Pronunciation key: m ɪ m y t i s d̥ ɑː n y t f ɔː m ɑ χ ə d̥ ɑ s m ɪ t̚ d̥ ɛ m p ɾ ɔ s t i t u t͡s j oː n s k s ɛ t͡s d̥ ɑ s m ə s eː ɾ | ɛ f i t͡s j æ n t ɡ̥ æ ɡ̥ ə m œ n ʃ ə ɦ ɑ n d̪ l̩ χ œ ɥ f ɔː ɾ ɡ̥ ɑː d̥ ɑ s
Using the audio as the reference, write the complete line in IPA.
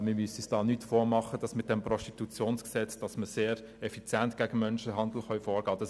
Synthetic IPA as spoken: m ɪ m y s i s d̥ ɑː n y t f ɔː m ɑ χ ə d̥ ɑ s m ɪ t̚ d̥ ɛ m p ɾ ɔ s t i t u t͡s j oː n s k s ɛ t͡s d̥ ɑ s m ə s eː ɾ | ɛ f i t͡s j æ n t ɡ̥ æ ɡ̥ ə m œ n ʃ ə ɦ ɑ n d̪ l̩ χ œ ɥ f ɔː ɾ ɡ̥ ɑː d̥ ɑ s